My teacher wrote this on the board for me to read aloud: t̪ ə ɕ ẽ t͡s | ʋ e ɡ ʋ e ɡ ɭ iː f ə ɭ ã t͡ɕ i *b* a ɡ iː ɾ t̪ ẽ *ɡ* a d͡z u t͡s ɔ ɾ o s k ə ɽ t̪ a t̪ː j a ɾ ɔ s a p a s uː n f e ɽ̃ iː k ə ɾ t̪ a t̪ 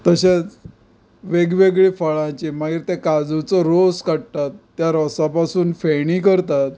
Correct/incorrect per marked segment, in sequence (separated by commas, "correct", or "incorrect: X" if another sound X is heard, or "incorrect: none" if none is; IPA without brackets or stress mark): incorrect: m, incorrect: k